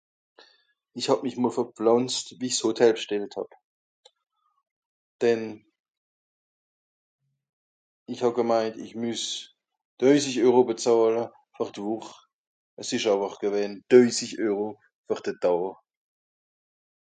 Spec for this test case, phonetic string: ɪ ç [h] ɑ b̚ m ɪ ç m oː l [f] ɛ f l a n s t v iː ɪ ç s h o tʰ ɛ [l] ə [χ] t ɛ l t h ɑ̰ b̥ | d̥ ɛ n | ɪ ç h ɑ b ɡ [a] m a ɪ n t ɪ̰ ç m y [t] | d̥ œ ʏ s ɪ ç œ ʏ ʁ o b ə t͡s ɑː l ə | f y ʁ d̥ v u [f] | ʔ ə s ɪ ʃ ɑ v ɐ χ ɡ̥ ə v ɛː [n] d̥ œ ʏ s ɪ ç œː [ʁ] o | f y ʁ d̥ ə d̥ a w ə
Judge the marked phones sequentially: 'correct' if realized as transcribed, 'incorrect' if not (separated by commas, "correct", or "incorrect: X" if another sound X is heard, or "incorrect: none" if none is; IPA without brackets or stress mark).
correct, correct, correct, incorrect: ʃ, incorrect: ə, incorrect: s, incorrect: χ, correct, correct